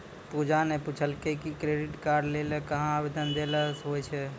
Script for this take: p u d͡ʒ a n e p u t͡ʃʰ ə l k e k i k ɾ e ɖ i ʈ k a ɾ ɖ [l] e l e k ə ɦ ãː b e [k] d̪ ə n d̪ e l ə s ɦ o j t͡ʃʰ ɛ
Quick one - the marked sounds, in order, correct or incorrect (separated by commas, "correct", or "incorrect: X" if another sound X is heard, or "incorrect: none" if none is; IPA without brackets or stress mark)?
correct, incorrect: none